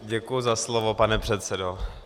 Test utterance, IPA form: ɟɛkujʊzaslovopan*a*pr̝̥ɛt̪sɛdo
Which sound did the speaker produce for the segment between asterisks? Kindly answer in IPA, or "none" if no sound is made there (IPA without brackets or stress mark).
ɛ